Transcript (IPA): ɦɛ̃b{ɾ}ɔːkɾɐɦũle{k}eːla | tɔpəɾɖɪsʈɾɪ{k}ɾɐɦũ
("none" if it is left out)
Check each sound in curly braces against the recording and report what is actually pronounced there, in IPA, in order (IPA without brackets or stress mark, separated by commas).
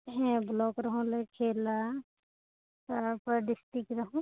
l, kʰ, k